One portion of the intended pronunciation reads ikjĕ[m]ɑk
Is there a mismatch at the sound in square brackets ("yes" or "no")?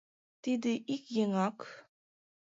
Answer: yes